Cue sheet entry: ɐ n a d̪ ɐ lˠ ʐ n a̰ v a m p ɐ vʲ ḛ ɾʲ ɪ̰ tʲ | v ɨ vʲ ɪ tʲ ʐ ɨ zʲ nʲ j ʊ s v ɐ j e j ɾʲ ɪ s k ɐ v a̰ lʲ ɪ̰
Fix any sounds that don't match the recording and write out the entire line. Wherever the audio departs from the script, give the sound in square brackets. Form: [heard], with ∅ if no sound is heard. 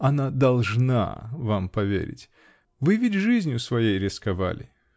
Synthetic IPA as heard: ɐ n a d̪ ɐ lˠ ʐ n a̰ v a m p ɐ vʲ ḛ ɾʲ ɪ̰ tʲ | v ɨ vʲ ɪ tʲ ʐ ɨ zʲ nʲ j ʊ s v ɐ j e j ɾʲ ɪ s k ɐ v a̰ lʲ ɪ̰